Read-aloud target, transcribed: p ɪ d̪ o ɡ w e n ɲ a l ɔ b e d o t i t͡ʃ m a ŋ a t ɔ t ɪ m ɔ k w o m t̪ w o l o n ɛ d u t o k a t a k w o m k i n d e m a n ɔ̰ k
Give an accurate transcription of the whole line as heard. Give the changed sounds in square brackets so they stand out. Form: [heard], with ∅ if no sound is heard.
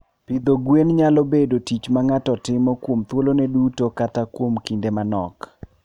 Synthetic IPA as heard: p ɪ d̪ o ɡ w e n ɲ a l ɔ b e d o t i t͡ʃ m a ŋ a t ɔ t ɪ m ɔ k w o m t̪ w o l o n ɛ d u t o k a t a k w o m k i n d e m a n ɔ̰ k